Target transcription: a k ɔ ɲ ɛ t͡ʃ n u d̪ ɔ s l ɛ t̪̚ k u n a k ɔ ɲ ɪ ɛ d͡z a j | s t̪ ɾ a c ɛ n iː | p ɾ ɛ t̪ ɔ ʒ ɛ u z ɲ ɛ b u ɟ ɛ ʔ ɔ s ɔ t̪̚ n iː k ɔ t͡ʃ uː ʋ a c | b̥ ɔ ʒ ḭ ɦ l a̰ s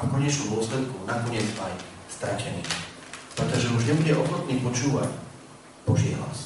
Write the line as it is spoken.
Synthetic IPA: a k ɔ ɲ ɛ t͡ʃ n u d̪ ɔ s l ɛ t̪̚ k u n a k ɔ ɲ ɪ ɛ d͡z a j | s t̪ ɾ a c ɛ n iː | p ɾ ɛ t̪ ɔ ʒ ɛ u ʒ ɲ ɛ b u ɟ ɛ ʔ ɔ x ɔ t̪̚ n iː p ɔ t͡ʃ uː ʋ a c | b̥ ɔ ʒ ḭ ɦ l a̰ s